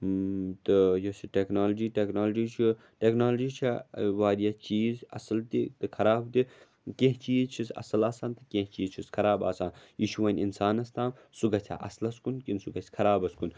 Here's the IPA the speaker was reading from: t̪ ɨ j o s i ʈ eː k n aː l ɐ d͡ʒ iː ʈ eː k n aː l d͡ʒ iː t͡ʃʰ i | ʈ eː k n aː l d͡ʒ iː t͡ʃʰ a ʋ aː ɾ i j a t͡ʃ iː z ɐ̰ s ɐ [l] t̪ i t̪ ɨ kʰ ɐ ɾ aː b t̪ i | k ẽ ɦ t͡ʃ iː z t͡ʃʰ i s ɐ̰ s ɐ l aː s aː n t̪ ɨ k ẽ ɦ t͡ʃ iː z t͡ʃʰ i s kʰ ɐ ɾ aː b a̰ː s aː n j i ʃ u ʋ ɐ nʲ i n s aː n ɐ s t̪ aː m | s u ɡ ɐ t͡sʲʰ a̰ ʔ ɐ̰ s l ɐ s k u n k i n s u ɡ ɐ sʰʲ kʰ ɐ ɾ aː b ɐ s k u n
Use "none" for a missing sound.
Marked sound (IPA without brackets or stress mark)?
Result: l